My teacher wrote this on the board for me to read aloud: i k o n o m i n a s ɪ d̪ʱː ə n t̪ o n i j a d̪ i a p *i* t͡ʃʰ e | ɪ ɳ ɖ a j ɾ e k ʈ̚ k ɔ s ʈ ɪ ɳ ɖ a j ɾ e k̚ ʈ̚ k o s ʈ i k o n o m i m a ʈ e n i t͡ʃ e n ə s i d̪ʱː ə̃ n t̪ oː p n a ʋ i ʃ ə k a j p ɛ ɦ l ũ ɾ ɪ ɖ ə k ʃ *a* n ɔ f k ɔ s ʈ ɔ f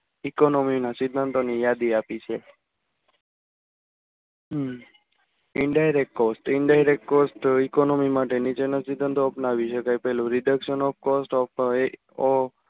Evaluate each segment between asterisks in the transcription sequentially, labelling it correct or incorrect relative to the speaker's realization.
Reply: correct, incorrect

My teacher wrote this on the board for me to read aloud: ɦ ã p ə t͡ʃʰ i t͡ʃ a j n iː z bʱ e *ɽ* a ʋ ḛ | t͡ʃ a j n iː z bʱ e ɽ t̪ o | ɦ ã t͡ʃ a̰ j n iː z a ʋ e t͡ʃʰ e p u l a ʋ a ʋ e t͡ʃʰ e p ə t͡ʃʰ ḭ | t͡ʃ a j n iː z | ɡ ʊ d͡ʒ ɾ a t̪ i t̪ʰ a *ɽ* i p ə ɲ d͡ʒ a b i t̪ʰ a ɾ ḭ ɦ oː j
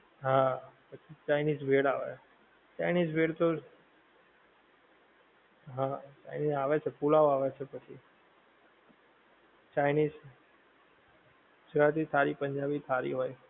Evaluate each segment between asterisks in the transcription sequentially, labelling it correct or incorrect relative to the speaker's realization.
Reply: correct, incorrect

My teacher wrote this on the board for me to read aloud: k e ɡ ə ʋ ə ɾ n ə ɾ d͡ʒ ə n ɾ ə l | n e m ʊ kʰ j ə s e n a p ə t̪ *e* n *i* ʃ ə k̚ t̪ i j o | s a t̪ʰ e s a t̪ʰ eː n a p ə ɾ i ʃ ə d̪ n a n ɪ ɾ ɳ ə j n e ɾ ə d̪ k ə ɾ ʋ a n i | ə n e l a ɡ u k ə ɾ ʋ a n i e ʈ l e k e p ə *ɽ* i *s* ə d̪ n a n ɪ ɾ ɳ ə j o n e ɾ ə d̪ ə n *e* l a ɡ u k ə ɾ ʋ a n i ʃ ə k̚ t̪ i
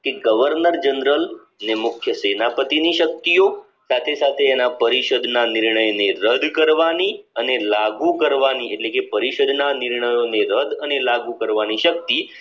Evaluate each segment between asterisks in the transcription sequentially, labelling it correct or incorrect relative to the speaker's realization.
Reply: incorrect, correct, incorrect, incorrect, correct

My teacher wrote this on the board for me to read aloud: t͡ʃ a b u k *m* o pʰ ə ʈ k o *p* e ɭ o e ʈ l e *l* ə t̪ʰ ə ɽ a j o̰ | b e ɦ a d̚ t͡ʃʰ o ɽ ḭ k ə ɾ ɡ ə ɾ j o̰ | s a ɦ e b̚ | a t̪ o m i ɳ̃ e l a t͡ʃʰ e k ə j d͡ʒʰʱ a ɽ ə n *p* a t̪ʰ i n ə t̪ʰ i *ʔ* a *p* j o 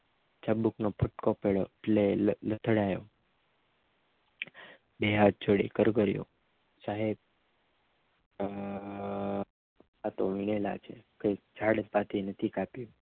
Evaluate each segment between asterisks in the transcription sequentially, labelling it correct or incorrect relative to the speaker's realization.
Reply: incorrect, correct, correct, correct, incorrect, correct

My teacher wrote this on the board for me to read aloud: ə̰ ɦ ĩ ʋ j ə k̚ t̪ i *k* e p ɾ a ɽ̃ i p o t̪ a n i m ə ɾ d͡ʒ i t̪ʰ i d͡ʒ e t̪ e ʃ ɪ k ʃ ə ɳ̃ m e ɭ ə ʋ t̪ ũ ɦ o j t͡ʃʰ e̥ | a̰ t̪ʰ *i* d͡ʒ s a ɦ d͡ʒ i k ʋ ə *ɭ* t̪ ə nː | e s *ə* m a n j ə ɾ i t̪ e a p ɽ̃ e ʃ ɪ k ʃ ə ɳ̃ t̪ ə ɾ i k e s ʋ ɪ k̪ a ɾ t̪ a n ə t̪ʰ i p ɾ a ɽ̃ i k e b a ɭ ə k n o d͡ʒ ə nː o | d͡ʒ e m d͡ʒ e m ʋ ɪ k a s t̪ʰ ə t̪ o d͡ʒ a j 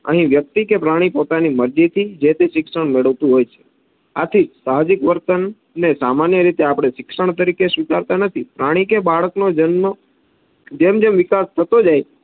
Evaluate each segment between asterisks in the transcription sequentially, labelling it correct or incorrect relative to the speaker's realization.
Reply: correct, correct, incorrect, incorrect

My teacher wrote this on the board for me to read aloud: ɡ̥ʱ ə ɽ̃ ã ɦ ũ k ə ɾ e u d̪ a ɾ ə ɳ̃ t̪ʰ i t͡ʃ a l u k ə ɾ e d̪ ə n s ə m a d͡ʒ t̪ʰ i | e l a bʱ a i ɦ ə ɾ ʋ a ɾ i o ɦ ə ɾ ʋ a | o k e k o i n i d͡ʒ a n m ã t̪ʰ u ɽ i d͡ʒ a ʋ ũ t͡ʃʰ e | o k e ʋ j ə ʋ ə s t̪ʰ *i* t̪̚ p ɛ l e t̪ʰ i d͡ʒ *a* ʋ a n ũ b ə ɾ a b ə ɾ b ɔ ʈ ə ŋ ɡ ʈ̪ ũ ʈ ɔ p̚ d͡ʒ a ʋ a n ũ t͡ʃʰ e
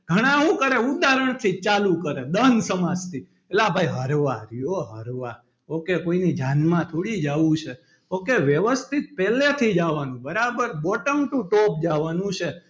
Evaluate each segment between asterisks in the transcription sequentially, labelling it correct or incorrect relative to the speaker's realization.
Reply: correct, correct

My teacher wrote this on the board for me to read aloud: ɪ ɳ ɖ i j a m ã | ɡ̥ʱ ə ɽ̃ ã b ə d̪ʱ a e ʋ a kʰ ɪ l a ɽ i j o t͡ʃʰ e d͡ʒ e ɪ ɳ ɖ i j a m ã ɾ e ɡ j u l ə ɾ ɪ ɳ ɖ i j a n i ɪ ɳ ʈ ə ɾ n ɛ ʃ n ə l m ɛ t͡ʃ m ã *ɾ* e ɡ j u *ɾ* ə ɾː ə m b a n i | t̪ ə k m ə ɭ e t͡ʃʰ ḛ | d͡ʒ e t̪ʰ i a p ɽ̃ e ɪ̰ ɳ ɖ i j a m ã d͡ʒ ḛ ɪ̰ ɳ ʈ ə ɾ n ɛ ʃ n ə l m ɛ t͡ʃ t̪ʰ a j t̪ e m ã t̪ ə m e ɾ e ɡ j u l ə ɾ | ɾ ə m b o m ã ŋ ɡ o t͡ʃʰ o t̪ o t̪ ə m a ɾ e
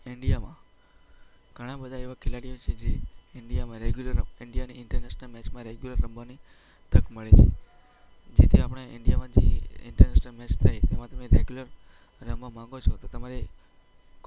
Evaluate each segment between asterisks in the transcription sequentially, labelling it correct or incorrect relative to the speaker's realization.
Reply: correct, incorrect

